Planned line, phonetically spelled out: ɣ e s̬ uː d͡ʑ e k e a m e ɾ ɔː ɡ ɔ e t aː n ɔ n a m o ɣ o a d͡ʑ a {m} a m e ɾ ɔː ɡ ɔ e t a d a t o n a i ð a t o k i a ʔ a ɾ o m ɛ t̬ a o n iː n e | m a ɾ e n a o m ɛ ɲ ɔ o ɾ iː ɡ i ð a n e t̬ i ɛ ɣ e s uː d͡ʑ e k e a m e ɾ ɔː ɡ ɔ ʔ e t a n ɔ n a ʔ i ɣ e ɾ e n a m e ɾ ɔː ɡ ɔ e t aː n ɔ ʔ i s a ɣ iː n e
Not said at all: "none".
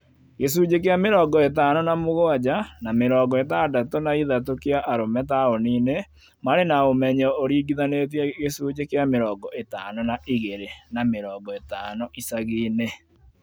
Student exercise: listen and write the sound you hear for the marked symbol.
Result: n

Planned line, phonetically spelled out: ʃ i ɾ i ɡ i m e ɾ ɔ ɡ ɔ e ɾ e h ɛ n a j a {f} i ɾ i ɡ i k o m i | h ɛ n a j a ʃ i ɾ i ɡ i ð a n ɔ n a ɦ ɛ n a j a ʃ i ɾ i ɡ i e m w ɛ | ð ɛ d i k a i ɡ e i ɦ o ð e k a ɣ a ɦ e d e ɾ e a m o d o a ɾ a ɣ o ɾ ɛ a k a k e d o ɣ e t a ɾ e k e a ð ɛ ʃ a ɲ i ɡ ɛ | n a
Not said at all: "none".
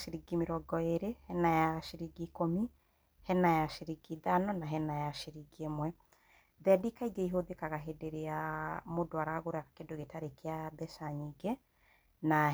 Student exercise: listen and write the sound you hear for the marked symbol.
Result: ʃ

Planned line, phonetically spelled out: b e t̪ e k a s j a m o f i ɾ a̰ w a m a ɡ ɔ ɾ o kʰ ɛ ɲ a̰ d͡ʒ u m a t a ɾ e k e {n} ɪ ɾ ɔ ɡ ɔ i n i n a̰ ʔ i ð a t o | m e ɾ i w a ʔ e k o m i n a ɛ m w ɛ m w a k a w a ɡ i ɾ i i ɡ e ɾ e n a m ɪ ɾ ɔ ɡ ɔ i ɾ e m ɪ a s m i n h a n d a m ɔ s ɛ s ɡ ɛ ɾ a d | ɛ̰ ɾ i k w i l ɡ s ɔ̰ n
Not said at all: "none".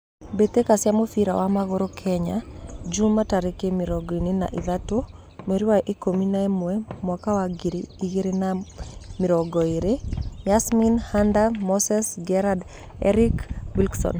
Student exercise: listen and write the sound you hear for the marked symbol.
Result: m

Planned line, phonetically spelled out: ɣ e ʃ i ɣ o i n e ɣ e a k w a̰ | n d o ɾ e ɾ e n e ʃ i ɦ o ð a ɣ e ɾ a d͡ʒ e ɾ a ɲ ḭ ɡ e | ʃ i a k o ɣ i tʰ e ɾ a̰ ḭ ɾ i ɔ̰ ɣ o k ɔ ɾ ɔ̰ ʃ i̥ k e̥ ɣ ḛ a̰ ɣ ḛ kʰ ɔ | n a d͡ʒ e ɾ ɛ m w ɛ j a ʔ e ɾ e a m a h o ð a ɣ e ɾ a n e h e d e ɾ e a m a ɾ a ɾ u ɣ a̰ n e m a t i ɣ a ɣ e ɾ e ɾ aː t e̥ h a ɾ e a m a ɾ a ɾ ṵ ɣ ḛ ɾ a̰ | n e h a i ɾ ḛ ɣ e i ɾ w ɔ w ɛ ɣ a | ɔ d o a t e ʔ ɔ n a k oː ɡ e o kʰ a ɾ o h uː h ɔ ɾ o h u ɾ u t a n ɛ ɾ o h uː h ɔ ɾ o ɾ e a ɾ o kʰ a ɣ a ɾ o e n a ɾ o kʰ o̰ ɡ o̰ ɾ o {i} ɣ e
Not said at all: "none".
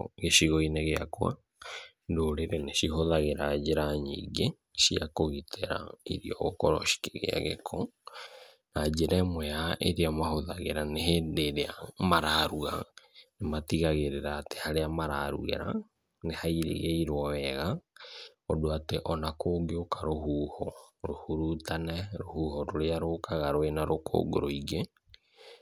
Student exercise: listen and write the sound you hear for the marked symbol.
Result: i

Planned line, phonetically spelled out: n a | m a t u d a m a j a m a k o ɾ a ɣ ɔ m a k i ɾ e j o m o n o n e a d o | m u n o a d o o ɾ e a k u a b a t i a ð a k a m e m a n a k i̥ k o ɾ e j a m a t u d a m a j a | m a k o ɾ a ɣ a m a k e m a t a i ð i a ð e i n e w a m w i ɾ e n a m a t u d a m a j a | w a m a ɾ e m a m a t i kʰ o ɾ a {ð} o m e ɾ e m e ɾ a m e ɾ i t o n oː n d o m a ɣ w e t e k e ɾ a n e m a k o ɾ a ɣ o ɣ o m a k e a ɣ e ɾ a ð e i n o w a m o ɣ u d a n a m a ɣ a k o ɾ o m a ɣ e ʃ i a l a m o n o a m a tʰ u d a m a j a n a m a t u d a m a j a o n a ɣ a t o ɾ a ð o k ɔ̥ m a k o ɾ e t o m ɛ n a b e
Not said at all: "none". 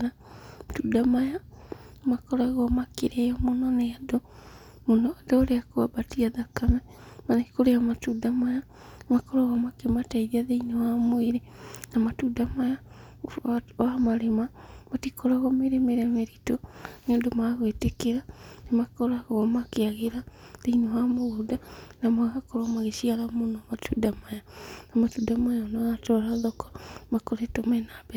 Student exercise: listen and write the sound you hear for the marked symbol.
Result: ɣ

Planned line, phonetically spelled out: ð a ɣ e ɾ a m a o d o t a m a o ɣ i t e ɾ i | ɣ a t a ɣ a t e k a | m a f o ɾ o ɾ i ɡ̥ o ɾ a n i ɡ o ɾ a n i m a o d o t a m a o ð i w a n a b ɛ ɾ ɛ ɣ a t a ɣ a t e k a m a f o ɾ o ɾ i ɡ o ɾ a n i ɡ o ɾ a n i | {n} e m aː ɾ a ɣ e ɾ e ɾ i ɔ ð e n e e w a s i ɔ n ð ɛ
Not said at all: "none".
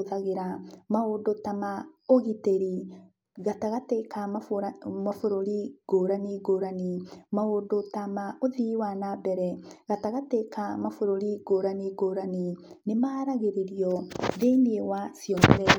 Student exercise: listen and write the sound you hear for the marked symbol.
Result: n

